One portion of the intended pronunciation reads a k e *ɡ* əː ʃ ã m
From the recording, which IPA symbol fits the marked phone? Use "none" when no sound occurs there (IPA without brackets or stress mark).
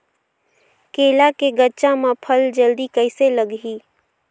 ɡ